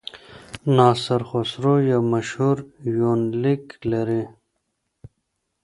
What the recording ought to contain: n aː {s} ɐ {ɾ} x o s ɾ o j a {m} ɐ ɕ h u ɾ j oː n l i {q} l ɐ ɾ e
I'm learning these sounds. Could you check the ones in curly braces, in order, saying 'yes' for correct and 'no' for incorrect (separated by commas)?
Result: yes, yes, yes, no